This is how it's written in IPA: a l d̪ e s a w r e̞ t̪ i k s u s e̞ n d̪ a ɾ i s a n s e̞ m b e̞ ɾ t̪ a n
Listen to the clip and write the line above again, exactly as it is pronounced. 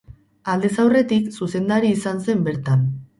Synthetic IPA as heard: a l d̪ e s a w r e̞ t̪ i k s u s e̞ n d̪ a ɾ iː s a n s e̞ m b e̞ ɾ t̪ a n